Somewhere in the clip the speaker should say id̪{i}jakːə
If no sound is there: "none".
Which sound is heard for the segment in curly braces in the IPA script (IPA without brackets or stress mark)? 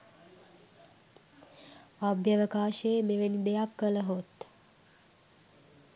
e